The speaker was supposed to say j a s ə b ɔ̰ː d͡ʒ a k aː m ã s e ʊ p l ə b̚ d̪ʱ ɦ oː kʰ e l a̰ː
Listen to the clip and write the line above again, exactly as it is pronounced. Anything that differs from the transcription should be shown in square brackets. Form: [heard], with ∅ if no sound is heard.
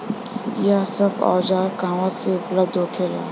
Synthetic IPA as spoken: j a s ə b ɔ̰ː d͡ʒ a k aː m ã s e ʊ p l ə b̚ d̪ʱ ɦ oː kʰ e l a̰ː